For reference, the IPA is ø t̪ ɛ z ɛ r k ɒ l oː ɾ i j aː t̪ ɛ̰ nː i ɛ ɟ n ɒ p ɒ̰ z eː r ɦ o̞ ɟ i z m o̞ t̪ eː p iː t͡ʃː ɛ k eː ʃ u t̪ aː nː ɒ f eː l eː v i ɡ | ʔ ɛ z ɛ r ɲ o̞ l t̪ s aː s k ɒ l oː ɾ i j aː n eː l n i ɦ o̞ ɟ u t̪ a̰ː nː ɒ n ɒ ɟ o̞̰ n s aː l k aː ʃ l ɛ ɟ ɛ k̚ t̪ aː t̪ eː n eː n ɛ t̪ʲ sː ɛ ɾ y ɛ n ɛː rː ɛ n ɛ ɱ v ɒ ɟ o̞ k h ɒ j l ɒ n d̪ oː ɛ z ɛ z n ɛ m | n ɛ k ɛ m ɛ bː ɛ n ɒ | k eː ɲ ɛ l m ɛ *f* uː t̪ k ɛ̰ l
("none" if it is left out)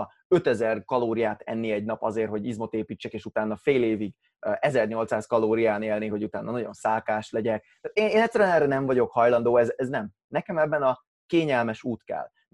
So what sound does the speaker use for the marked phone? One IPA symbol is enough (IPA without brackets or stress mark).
ʃ